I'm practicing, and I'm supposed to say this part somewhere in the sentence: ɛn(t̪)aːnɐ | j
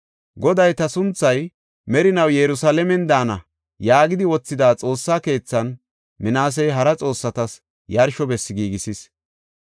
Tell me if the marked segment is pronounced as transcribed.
no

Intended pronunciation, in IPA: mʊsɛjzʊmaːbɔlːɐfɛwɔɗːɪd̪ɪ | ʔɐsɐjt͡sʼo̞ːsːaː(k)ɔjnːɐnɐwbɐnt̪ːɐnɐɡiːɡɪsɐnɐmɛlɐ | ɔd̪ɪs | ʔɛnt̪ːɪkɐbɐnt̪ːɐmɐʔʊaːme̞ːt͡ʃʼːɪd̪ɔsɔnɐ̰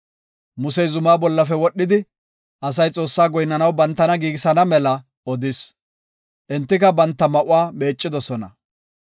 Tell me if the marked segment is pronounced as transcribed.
no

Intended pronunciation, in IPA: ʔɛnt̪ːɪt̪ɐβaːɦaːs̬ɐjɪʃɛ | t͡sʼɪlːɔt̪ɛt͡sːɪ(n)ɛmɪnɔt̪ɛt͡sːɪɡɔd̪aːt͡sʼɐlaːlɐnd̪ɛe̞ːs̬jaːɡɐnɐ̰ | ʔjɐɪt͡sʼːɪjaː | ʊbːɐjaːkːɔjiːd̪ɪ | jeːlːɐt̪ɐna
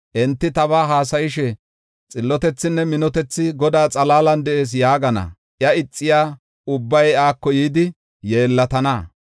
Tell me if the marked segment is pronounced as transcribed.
no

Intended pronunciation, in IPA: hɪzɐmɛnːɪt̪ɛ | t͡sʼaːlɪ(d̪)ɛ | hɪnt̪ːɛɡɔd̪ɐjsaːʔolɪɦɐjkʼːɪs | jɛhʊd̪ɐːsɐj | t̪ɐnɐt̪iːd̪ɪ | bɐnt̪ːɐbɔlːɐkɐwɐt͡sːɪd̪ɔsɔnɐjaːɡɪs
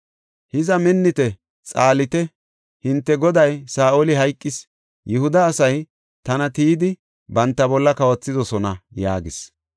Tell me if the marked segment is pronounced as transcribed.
no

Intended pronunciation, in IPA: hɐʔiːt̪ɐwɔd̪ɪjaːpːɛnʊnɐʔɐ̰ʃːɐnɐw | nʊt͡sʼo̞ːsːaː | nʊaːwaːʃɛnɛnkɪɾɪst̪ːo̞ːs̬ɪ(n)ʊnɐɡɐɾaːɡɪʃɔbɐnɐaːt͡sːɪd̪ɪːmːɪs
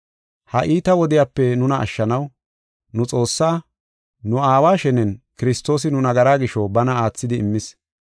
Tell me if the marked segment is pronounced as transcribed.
yes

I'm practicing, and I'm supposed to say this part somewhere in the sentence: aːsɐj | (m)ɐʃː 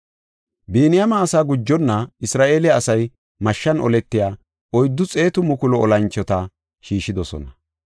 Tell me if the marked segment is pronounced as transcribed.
yes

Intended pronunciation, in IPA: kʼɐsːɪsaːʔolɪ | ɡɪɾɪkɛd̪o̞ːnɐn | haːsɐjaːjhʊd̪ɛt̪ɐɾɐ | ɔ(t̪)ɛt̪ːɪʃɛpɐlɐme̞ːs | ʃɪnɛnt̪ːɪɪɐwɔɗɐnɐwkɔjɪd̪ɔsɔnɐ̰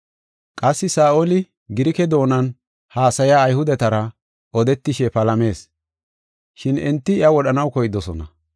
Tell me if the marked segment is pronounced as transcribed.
no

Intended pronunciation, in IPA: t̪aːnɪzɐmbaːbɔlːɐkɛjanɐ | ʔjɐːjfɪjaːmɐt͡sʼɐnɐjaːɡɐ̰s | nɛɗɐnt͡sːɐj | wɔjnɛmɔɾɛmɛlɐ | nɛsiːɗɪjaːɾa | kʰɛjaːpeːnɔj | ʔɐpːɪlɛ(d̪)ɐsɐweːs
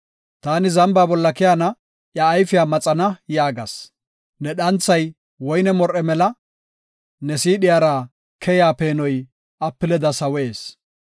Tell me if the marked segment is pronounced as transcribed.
yes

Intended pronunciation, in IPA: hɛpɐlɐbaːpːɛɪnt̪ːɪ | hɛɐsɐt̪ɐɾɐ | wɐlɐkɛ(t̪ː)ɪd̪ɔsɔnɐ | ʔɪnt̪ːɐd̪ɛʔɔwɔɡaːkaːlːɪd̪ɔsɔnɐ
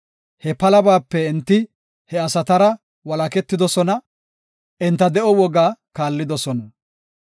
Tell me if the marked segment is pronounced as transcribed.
yes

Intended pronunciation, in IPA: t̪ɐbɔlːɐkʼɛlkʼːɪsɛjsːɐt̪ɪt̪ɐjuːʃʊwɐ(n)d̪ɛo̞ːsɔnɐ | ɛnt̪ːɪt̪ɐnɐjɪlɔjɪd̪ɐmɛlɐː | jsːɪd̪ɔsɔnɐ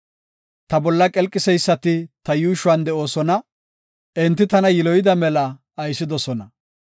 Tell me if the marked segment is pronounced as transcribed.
yes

